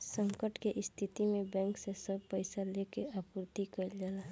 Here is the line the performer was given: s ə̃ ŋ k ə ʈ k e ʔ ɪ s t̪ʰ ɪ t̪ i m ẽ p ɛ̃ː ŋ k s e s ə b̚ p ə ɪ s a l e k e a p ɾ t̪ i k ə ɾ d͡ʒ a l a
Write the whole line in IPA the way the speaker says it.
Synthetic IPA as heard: s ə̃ ŋ k ə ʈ k e ʔ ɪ s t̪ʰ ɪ t̪ i m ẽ b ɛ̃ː ŋ k s e s ə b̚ p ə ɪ s a l e k e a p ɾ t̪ i k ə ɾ d͡ʒ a l a